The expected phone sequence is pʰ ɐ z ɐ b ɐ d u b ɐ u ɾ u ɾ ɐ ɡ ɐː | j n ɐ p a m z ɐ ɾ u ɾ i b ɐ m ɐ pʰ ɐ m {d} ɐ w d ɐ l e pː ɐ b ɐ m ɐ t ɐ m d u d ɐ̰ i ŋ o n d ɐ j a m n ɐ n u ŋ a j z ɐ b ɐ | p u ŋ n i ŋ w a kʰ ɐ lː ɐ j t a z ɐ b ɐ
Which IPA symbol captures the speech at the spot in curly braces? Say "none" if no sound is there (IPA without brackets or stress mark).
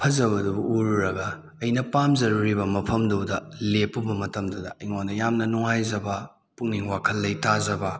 d